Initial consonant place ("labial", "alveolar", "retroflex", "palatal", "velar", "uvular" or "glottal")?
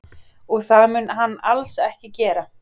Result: velar